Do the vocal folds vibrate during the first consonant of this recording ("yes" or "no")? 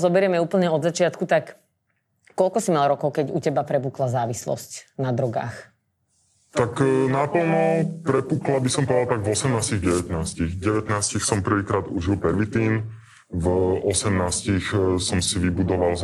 yes